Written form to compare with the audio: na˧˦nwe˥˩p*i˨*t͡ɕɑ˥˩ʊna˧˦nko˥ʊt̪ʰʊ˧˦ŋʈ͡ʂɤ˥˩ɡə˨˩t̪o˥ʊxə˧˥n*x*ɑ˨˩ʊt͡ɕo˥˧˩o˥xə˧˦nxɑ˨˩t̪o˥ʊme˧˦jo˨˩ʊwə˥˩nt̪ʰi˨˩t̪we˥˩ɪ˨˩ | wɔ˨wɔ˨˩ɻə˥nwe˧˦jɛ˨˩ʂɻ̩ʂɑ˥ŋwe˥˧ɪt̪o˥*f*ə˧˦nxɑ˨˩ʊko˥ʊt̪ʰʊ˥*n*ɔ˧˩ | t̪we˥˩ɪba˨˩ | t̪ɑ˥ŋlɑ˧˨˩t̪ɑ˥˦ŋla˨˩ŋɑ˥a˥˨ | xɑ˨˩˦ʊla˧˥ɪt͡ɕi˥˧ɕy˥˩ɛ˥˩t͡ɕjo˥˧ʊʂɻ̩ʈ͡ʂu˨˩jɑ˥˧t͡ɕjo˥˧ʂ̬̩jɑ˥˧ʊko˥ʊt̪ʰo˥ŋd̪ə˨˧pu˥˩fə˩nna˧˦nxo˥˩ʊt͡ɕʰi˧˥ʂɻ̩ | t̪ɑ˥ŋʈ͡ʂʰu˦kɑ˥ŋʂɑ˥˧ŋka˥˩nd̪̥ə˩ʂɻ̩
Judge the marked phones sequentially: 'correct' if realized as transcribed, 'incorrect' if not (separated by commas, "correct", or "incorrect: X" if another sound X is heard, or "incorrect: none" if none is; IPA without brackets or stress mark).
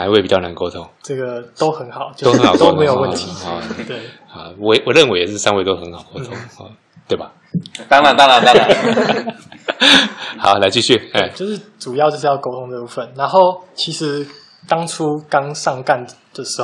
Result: correct, correct, incorrect: x, incorrect: ŋ